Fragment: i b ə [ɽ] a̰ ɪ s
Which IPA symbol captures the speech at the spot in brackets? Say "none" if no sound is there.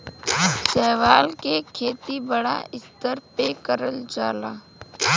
ɽ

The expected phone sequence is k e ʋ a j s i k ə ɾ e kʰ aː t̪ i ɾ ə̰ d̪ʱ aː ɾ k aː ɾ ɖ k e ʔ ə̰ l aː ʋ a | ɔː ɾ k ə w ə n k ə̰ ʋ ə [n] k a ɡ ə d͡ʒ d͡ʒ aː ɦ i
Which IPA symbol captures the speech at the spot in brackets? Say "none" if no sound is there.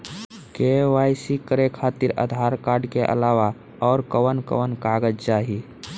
n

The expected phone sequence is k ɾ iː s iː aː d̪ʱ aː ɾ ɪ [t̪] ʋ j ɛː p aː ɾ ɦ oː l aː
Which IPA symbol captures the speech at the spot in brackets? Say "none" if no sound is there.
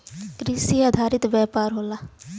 t̪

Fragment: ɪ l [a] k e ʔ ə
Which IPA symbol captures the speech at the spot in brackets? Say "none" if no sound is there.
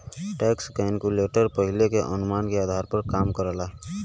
e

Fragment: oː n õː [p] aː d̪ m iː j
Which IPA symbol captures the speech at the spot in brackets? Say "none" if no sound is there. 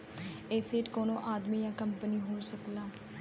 ʔ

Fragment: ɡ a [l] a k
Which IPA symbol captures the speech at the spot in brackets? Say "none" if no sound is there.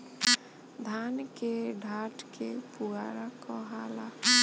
ɾ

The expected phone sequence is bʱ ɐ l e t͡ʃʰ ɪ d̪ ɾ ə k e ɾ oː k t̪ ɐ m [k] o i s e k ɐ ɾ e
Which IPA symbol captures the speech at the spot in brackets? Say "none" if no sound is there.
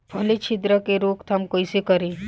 k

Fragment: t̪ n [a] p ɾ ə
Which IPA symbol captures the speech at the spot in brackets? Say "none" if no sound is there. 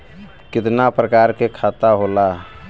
a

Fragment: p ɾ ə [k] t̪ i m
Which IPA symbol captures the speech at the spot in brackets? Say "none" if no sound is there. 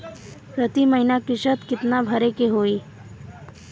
none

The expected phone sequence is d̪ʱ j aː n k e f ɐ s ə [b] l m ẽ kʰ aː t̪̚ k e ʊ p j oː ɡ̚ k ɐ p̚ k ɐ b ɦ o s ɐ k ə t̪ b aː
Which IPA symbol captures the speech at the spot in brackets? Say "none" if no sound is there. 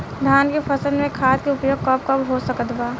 none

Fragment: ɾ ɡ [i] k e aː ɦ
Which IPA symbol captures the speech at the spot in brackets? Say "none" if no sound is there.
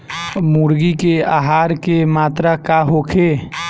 i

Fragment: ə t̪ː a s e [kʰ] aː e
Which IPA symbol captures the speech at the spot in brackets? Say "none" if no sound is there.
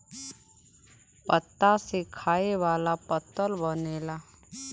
kʰ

